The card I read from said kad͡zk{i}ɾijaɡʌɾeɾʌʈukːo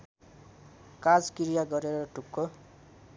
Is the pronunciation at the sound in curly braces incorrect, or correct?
correct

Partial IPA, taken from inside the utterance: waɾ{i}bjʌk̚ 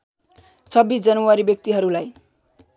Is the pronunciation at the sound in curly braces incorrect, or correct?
correct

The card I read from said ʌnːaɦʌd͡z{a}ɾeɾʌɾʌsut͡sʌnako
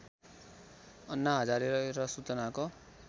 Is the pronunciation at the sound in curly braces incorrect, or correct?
correct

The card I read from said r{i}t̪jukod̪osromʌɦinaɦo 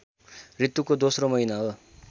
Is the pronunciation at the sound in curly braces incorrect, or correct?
correct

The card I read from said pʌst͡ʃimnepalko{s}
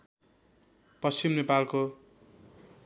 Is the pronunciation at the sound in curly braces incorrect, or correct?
incorrect: none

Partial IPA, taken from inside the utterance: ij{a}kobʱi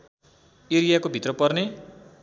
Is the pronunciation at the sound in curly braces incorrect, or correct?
correct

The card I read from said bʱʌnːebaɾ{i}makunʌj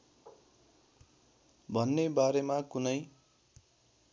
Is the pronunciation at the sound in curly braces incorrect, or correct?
incorrect: e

